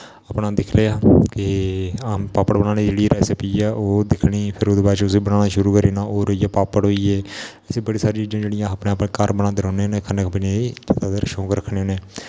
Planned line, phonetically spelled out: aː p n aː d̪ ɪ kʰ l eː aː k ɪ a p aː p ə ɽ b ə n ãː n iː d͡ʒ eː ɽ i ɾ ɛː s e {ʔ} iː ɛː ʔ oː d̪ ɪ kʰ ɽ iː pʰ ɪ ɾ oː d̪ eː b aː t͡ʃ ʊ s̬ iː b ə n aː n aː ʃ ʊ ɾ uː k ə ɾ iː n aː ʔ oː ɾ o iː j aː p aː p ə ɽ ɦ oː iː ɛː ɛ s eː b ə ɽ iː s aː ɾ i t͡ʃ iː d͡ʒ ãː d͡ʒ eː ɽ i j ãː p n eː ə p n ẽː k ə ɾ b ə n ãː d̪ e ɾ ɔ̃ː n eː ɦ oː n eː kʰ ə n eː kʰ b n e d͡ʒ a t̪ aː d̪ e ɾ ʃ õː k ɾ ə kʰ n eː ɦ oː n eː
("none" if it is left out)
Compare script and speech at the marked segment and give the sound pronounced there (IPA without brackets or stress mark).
p